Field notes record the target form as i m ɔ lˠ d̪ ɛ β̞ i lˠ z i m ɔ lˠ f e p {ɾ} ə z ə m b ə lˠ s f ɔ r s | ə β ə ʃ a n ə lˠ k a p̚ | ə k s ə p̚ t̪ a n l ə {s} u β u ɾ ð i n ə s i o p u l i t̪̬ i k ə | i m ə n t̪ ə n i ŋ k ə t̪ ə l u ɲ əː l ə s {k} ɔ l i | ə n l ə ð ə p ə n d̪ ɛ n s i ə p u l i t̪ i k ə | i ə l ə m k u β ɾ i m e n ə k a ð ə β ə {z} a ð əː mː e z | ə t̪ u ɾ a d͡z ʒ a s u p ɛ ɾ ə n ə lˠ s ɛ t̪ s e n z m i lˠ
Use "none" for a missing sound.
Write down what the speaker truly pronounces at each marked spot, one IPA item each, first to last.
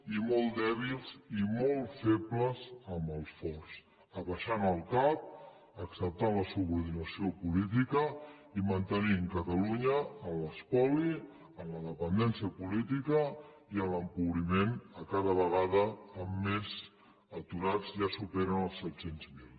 l, s, p, ɣ

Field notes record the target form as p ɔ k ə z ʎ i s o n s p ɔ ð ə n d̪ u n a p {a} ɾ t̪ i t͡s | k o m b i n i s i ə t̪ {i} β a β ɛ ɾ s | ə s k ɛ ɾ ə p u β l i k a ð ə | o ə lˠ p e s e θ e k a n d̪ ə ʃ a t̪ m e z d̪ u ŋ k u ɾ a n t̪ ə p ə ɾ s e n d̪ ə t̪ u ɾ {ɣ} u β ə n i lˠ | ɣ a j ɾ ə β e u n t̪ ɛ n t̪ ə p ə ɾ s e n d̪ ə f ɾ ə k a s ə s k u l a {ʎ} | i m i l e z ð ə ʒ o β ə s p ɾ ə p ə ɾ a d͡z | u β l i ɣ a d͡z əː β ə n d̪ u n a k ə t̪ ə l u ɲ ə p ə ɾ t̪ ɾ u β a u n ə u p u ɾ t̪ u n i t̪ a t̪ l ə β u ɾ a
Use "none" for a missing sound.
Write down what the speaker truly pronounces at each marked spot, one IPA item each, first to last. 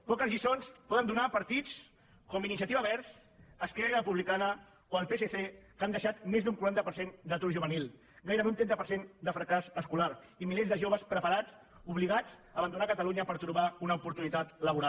ə, i, ʒ, ɾ

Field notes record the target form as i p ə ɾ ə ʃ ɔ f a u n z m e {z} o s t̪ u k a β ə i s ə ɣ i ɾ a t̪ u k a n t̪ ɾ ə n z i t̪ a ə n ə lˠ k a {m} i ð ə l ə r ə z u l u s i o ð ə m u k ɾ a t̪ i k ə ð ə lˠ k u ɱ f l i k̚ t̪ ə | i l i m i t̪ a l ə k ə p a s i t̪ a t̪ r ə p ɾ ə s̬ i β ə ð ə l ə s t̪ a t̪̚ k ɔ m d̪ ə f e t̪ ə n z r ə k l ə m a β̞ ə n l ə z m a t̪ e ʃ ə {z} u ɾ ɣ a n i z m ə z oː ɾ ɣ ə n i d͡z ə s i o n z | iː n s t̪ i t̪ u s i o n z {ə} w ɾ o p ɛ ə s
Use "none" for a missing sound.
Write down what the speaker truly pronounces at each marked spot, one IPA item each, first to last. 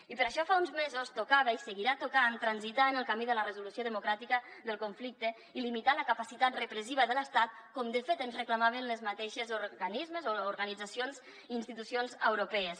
z, m, z, ə

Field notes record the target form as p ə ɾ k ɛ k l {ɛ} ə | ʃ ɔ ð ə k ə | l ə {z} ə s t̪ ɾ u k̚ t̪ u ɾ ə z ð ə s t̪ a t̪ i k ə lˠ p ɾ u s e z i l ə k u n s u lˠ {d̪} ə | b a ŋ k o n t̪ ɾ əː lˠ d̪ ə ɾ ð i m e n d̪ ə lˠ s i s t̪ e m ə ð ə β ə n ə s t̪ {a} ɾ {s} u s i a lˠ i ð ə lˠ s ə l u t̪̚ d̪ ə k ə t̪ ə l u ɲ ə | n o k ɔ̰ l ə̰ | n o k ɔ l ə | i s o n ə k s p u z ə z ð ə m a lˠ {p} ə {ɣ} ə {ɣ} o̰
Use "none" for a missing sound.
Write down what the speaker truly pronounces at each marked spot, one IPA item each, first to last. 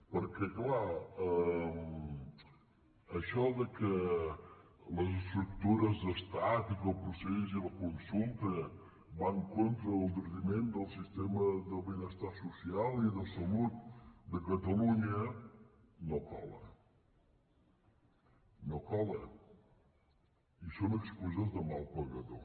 a, z, t̪, a, s, p, ɣ, ð

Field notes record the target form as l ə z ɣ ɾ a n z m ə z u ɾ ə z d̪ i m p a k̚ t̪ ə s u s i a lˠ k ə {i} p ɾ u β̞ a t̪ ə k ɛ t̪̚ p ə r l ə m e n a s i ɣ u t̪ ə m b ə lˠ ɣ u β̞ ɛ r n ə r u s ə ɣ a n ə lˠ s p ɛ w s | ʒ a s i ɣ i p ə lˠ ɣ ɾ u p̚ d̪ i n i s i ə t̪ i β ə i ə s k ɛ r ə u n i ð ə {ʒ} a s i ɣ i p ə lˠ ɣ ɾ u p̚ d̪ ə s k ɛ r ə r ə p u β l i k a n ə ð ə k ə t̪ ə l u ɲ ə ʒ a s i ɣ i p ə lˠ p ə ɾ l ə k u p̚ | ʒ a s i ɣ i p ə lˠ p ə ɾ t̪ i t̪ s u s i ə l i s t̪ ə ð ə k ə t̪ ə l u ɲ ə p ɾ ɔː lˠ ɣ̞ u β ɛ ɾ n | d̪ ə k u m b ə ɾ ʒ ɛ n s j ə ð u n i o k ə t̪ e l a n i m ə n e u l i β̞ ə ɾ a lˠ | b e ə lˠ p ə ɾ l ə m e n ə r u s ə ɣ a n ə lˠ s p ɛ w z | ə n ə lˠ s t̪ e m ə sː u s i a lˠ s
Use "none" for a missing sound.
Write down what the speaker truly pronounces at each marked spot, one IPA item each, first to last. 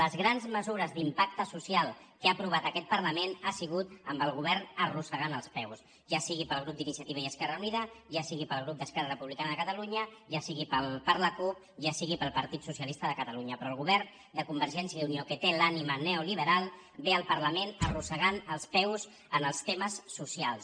a, ʒ

